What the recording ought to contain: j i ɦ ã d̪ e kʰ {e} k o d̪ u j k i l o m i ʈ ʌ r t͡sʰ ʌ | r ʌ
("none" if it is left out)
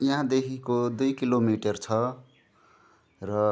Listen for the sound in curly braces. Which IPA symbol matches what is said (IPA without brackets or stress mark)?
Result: i